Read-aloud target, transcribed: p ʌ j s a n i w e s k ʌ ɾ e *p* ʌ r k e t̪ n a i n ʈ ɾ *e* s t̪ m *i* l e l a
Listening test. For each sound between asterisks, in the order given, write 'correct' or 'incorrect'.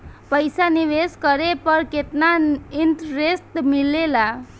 correct, correct, correct

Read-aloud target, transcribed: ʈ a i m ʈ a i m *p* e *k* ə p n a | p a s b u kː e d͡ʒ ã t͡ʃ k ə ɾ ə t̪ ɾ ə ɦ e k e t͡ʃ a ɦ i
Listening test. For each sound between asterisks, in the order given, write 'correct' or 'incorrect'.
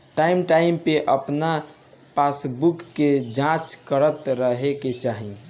correct, incorrect

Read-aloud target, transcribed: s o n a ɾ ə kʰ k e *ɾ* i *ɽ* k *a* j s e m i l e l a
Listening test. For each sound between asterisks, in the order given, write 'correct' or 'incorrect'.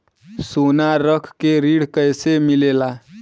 correct, correct, incorrect

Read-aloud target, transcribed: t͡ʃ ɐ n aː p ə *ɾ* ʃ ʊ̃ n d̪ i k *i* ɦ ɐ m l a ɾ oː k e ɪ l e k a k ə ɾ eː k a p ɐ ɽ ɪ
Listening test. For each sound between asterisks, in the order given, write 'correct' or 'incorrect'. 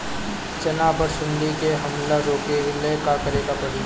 correct, incorrect

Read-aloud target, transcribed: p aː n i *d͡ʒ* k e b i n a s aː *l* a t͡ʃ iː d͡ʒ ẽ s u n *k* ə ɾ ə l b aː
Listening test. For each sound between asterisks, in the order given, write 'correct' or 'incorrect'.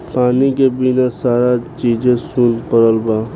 incorrect, incorrect, incorrect

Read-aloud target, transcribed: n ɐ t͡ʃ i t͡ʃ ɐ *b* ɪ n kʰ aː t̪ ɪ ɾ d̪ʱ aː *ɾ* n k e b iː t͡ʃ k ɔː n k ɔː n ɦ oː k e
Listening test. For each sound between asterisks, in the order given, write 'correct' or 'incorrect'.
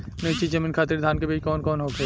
incorrect, incorrect

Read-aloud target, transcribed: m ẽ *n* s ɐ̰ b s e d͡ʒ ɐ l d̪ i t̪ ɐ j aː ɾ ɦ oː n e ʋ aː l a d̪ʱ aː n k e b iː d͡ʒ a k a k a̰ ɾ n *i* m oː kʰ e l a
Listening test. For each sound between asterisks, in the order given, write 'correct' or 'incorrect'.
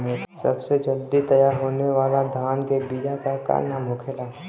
incorrect, incorrect

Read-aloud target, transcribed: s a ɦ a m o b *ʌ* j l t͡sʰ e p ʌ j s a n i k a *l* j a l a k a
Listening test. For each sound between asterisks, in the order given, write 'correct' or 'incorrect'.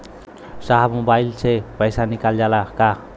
incorrect, correct

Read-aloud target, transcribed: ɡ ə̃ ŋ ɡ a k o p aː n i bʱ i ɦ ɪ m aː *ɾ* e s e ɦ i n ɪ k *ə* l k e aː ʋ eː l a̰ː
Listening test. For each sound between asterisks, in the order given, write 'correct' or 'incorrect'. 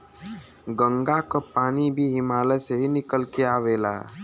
incorrect, correct

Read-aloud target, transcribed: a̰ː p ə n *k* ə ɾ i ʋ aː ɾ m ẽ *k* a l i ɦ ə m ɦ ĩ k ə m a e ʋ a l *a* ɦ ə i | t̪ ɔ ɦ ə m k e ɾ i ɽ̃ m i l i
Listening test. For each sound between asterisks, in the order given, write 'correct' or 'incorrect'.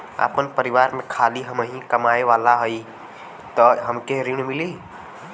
incorrect, incorrect, correct

